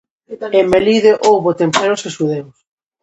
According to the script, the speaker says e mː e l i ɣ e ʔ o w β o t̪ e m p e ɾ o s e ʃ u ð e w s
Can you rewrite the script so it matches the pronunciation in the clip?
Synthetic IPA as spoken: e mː e l i ð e ʔ o w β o t̪ e m p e ɾ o s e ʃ u ð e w s